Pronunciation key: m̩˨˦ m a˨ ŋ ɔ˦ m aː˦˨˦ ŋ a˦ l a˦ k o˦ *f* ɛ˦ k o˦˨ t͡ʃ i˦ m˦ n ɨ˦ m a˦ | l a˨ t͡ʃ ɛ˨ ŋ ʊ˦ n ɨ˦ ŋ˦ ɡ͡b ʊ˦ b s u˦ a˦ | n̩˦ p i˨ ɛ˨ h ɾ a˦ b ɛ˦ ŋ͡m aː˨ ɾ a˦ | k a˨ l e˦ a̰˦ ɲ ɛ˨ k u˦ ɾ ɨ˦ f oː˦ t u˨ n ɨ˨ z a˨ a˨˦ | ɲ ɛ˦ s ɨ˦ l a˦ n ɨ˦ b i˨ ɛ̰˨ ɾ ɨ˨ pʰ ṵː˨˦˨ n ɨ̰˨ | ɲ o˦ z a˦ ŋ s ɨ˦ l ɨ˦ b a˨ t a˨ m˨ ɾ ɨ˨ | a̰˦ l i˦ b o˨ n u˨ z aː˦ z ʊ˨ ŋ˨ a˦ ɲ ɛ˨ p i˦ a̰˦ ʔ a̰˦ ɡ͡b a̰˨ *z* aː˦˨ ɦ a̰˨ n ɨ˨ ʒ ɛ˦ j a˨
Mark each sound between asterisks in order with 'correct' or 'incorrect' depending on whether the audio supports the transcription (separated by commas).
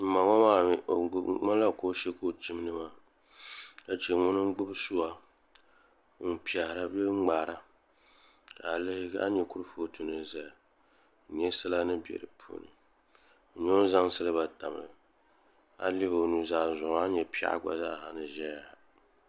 incorrect, correct